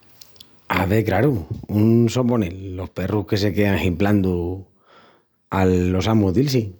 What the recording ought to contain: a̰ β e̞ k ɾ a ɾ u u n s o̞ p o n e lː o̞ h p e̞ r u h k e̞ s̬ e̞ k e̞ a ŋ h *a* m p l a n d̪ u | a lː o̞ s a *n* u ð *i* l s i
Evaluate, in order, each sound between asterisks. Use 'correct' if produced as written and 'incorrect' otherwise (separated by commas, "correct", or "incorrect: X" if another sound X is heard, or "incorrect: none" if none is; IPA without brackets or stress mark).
incorrect: i, incorrect: m, correct